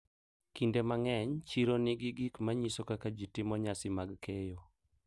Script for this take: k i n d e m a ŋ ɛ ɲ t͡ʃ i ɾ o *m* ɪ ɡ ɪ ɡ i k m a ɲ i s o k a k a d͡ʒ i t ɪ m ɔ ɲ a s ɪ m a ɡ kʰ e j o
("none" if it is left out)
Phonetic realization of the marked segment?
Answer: n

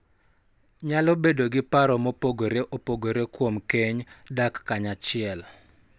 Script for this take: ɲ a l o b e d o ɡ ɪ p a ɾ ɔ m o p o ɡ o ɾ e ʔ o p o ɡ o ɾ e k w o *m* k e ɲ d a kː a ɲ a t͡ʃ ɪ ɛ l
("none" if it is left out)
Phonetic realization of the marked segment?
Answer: m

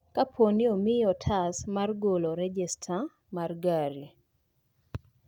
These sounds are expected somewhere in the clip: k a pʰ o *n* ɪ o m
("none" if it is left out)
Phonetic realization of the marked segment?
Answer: n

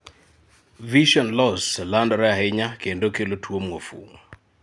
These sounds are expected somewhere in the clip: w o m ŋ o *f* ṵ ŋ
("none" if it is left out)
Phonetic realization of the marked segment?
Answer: f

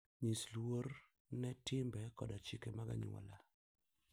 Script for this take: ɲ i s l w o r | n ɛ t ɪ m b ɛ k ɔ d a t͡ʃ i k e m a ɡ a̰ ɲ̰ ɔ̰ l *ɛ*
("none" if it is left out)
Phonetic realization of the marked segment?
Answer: a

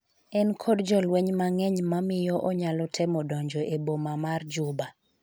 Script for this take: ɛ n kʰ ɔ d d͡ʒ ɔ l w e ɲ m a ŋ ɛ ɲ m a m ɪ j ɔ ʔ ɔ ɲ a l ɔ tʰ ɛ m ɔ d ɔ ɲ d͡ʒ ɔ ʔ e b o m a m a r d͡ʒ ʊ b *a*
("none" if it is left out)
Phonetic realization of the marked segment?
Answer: a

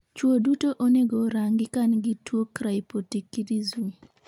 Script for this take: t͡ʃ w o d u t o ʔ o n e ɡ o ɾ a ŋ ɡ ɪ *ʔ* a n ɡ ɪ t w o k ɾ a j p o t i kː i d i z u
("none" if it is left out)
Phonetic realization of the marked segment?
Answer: k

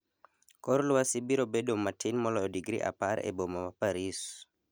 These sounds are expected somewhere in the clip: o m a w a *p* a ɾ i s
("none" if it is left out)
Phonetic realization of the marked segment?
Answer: p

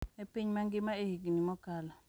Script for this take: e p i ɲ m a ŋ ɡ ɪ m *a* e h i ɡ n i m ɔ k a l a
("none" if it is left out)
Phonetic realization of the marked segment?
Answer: a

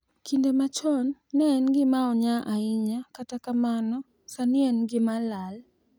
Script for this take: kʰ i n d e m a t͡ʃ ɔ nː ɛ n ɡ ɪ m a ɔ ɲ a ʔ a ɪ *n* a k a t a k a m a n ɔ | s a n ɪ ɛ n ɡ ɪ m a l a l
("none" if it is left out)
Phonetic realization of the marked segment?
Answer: ɲ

